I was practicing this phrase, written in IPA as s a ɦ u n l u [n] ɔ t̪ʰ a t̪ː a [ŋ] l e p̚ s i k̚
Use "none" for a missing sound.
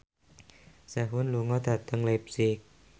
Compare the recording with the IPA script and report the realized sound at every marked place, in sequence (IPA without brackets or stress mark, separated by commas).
ŋ, ŋ